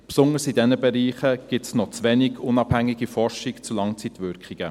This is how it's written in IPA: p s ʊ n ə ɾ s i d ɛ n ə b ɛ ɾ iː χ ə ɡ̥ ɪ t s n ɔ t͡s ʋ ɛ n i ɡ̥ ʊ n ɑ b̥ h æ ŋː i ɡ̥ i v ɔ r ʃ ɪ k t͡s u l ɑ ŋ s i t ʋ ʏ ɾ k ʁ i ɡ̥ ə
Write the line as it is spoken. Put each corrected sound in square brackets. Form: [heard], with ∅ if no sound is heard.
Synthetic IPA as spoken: p s ʊ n ə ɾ s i d ɛ n ə b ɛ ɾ iː χ ə ɡ̥ ɪ t s n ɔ t͡s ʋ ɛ n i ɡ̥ ʊ n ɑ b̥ h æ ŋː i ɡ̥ i [f] ɔ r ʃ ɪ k t͡s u l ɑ ŋ [t͡s] i t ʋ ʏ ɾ k [χ] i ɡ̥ ə